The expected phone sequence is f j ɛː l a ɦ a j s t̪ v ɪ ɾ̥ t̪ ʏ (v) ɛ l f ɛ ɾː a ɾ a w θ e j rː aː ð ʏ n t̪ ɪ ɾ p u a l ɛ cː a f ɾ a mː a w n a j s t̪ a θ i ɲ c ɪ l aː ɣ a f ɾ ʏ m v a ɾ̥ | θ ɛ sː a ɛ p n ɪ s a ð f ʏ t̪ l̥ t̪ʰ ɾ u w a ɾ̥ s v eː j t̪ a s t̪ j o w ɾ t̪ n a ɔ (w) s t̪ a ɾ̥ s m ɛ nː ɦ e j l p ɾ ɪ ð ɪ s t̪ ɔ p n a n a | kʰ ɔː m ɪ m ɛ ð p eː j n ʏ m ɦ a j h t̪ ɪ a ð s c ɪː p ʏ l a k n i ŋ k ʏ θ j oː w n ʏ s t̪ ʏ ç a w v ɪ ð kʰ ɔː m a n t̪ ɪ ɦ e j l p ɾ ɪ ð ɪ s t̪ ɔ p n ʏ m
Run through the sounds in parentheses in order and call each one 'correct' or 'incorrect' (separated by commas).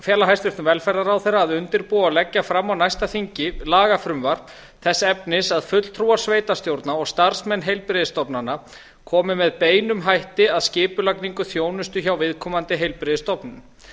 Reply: correct, incorrect